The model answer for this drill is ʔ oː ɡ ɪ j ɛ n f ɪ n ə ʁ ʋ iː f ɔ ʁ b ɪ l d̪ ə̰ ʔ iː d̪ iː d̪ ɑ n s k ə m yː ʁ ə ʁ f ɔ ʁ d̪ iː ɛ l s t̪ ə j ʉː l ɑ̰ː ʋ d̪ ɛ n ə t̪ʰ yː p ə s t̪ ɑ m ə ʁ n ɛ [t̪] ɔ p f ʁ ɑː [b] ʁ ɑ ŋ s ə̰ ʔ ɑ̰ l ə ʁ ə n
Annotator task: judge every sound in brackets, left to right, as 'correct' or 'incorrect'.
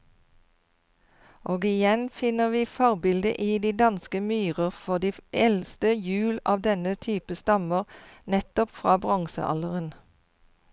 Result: correct, correct

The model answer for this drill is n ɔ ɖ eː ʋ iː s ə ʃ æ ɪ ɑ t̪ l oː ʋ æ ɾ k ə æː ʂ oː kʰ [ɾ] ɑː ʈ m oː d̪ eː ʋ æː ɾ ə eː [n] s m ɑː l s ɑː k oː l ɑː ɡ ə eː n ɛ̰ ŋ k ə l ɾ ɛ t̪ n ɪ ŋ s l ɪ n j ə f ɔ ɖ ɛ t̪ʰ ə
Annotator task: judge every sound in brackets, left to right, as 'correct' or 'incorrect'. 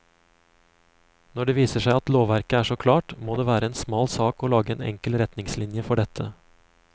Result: incorrect: l, correct

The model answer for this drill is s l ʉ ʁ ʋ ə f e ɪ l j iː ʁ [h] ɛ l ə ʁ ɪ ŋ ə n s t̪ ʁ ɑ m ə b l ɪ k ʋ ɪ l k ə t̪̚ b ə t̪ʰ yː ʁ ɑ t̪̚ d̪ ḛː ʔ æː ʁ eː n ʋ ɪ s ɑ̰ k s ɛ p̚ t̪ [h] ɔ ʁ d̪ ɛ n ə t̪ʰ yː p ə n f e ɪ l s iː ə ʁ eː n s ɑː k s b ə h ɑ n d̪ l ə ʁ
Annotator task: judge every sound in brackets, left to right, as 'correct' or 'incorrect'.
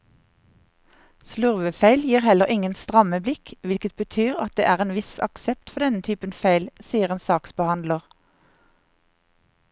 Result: correct, incorrect: f

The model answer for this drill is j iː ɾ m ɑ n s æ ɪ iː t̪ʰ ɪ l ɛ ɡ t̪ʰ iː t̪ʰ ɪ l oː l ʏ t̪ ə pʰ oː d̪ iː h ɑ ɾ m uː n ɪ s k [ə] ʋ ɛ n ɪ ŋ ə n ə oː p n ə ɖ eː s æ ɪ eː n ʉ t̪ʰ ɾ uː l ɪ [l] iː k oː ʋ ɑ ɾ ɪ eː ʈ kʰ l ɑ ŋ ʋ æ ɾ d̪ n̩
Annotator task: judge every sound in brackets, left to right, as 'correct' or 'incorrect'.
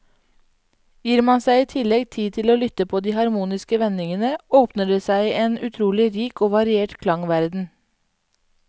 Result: correct, incorrect: ɾ

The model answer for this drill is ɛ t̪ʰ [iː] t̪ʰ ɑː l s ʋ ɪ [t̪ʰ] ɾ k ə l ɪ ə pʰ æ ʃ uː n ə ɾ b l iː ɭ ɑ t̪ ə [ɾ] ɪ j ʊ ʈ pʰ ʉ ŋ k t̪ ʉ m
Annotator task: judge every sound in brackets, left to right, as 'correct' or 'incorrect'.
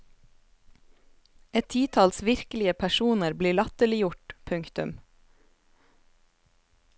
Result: correct, incorrect: none, incorrect: l

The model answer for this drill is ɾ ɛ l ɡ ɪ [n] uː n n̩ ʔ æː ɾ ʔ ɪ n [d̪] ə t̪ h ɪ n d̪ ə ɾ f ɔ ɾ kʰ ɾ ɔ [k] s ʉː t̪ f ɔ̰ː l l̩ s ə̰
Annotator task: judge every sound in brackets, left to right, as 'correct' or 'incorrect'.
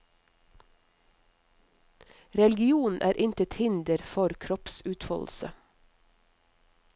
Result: incorrect: none, incorrect: t̪, incorrect: p

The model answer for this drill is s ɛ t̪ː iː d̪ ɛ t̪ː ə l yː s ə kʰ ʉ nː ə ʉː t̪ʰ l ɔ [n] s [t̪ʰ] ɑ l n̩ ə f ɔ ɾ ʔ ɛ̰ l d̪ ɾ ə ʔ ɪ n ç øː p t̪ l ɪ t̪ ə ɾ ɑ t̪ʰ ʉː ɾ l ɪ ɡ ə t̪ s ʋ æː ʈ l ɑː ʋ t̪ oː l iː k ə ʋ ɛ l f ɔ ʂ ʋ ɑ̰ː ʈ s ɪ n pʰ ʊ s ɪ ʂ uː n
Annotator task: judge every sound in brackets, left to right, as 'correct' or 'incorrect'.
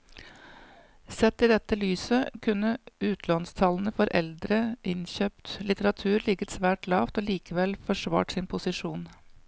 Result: correct, correct

